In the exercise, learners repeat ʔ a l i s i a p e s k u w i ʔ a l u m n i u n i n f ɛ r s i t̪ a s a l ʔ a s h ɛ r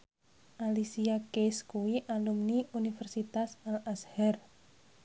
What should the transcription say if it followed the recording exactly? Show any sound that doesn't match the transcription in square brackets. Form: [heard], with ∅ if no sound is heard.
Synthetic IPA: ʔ a l i s i a [k] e s k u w i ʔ a l u m n i u n i [∅] f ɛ r s i t̪ a s a l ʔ a s h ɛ r